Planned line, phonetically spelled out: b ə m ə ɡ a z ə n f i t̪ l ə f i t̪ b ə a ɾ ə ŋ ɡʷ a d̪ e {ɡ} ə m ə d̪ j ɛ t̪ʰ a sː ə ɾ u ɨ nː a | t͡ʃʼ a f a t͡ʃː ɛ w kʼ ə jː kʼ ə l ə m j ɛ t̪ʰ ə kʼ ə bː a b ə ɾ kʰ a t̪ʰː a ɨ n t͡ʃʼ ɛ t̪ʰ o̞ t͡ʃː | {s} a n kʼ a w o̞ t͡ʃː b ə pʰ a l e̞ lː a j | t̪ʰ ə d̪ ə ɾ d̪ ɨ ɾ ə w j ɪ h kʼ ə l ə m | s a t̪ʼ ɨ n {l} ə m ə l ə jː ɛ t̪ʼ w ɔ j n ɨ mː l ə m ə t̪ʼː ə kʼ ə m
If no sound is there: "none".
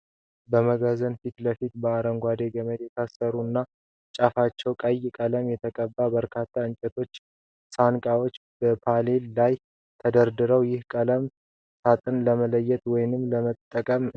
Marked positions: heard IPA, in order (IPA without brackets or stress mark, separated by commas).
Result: ɡ, s, l